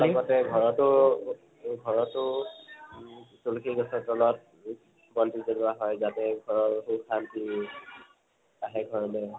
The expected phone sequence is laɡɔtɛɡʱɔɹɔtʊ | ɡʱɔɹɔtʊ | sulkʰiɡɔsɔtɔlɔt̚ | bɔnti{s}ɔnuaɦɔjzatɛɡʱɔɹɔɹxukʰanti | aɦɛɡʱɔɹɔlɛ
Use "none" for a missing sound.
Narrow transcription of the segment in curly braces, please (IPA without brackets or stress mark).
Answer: z